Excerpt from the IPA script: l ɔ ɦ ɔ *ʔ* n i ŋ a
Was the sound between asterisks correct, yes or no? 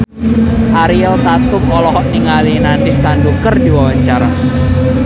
yes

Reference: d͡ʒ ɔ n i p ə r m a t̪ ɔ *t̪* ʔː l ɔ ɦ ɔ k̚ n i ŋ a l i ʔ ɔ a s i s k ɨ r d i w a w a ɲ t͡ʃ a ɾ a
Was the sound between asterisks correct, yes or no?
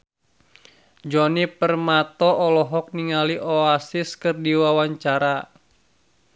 no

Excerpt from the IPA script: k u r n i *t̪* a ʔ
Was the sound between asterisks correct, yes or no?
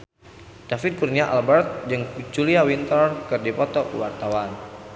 no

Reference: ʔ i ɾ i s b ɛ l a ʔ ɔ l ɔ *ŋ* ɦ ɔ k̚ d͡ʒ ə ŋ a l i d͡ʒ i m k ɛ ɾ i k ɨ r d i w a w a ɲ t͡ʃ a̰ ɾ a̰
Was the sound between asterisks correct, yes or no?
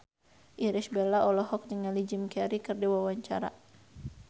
no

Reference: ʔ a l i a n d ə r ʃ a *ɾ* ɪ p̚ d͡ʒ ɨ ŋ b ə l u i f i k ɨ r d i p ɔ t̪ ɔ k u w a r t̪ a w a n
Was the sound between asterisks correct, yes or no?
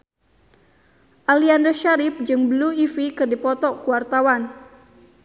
yes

